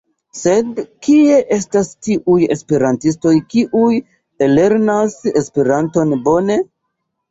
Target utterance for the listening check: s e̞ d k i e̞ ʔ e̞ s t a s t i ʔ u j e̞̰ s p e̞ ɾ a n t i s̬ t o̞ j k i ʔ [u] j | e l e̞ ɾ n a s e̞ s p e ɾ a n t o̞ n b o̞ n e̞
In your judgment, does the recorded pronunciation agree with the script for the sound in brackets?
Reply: yes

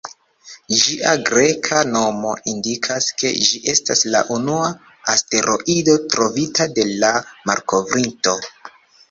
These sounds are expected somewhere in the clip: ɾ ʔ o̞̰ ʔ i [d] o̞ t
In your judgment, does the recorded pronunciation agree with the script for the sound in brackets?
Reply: yes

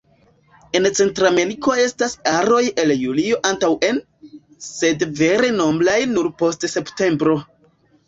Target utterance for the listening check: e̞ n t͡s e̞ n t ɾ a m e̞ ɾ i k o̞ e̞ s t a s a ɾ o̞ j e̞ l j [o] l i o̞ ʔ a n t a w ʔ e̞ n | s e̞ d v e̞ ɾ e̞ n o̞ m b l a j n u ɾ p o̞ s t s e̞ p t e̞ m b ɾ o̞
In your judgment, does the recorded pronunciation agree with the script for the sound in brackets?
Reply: no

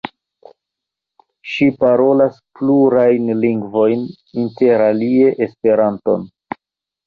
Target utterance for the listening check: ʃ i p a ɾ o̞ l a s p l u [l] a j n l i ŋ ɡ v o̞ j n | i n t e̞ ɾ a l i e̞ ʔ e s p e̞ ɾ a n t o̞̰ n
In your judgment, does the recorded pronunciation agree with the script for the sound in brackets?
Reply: no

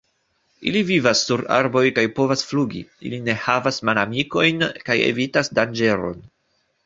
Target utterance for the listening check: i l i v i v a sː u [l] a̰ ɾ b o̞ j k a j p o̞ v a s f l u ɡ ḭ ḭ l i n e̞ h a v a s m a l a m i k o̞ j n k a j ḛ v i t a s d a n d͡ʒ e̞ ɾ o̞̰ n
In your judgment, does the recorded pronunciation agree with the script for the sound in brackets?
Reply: no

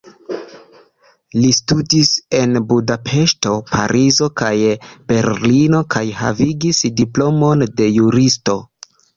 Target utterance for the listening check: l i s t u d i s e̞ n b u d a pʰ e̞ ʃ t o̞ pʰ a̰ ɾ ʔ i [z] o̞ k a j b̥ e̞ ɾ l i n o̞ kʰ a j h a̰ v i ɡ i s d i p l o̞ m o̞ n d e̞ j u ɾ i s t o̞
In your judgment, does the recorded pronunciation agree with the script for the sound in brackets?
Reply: yes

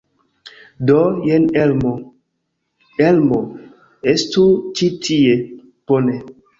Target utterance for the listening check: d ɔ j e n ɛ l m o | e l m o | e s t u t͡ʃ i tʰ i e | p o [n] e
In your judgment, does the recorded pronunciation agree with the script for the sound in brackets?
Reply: yes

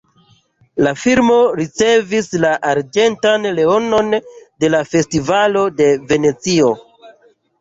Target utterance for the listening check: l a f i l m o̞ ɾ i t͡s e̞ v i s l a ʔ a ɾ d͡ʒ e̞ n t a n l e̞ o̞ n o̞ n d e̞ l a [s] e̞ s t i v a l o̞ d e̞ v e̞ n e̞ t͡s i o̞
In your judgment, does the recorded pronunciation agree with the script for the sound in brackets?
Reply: no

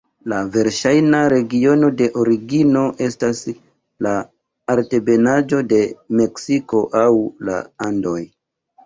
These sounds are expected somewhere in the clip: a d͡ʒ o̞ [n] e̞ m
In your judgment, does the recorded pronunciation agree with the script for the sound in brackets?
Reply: no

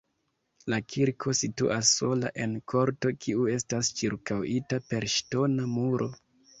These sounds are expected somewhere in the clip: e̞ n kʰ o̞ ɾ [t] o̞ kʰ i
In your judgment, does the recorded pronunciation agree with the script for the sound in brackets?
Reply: yes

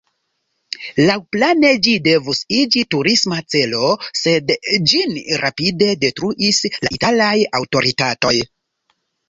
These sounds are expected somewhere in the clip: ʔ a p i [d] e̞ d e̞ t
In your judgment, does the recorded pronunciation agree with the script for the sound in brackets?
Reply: yes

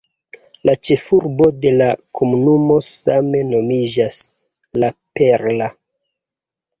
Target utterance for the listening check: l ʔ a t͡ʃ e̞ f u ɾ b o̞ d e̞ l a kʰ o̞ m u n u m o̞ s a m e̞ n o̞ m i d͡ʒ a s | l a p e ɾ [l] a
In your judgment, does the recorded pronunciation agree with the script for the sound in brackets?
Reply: yes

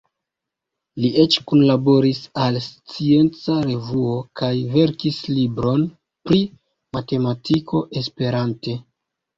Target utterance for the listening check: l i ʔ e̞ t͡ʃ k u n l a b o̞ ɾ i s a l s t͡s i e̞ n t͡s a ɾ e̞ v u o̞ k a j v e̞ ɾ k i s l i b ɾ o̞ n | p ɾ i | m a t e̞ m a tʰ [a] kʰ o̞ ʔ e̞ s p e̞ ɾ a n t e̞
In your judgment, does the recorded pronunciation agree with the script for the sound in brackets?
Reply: no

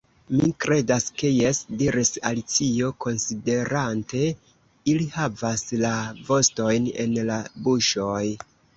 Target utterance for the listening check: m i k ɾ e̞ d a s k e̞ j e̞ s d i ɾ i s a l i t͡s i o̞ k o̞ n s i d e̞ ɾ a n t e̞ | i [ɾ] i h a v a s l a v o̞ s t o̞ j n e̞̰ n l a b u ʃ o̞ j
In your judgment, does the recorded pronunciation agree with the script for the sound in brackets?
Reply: no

